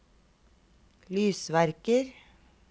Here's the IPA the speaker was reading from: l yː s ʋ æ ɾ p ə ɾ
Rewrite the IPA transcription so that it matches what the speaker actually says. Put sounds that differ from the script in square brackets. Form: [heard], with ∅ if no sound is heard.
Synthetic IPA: l yː s ʋ æ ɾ [k] ə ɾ

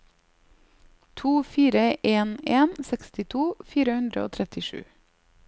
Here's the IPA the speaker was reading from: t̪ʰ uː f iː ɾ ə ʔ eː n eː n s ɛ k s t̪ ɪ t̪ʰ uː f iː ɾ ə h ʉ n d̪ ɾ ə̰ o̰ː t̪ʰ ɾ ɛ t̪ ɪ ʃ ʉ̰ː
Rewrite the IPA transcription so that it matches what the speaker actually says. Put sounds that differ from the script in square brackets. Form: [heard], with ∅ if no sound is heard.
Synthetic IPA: t̪ʰ uː f iː ɾ ə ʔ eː n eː n s ɛ k s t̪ ɪ t̪ʰ uː f iː ɾ ə h ʉ n d̪ ɾ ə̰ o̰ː t̪ʰ ɾ ɛ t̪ ɪ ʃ ʉ̰ː

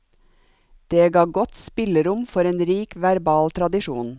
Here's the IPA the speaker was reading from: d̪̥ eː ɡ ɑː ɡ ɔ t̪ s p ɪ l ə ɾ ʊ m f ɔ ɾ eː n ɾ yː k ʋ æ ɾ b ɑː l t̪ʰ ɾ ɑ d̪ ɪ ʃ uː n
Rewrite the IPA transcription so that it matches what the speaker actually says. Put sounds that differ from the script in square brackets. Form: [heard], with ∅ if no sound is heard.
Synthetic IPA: d̪̥ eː ɡ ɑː ɡ ɔ t̪ s p ɪ l ə ɾ ʊ m f ɔ ɾ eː n ɾ [iː] k ʋ æ ɾ b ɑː l t̪ʰ ɾ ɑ d̪ ɪ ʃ uː n

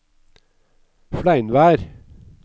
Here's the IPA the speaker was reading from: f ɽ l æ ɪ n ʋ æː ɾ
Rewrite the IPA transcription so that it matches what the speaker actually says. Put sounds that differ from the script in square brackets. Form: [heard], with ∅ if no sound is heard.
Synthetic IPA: f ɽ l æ ɪ n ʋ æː ɾ

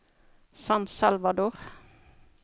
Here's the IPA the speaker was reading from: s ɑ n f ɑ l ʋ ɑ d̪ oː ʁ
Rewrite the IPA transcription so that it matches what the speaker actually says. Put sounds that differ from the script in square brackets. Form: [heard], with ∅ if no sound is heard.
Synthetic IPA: s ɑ n [s] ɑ l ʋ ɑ d̪ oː ʁ

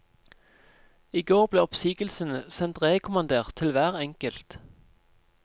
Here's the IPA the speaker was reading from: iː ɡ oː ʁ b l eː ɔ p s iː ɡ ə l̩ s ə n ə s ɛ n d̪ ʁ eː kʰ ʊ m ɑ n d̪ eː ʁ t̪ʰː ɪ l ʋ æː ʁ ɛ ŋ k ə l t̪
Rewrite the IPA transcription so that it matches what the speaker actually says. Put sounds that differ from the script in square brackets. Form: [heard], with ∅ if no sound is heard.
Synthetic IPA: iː ɡ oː ʁ b l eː ɔ p s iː ɡ ə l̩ s ə n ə s ɛ n [t̪] ʁ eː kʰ ʊ m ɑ n d̪ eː ʁ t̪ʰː ɪ l ʋ æː ʁ ɛ ŋ k ə l t̪

